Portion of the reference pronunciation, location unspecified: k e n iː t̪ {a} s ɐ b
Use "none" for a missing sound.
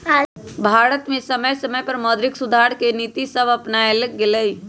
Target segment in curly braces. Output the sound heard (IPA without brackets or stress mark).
i